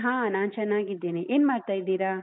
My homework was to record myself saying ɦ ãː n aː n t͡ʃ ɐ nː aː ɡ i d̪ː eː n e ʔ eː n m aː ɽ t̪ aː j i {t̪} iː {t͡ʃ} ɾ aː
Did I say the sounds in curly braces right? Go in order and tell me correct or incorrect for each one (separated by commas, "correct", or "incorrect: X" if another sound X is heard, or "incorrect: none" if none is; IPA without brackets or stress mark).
incorrect: d̪, incorrect: none